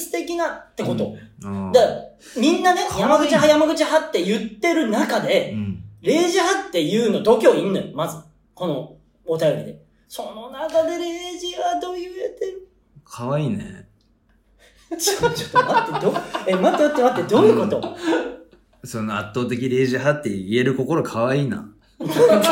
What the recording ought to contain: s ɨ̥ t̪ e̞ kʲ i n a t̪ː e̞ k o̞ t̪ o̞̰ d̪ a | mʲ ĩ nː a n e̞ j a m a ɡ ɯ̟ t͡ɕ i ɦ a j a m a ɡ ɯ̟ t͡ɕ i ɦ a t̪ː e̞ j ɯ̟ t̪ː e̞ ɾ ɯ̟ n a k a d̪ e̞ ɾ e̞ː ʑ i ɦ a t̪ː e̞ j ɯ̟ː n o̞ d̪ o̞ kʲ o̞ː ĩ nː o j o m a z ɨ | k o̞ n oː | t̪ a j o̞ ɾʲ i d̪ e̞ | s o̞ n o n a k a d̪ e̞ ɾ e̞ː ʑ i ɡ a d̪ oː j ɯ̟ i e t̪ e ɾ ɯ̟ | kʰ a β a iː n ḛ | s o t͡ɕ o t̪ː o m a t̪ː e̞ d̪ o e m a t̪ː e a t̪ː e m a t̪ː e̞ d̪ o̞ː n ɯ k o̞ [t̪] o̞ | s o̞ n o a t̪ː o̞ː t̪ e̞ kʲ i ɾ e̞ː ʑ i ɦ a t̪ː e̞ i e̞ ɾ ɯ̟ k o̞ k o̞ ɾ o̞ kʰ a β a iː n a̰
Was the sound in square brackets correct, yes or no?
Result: yes